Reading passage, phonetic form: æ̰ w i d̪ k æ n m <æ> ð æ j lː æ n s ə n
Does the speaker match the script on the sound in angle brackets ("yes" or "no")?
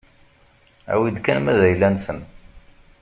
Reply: yes